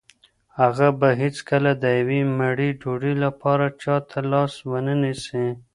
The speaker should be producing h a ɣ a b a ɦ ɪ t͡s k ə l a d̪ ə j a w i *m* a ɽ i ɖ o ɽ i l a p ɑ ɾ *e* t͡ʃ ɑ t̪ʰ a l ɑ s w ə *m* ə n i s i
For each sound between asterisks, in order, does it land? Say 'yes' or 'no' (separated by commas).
yes, no, no